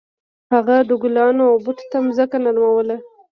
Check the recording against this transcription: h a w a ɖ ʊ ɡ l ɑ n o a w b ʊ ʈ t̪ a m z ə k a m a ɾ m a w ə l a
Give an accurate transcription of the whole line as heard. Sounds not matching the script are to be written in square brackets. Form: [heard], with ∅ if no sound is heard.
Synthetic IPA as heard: h a [ɣ] a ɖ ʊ ɡ l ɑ n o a w b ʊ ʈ t̪ a m z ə k a [n] a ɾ m a w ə l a